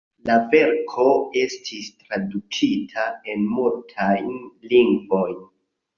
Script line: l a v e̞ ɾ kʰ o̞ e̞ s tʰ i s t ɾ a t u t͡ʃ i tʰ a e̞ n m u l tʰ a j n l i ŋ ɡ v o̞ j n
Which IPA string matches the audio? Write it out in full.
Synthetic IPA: l a v e̞ ɾ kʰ o̞ e̞ s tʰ i s t ɾ a d u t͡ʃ i tʰ a e̞ n m u l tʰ a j n l i ŋ ɡ v o̞ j n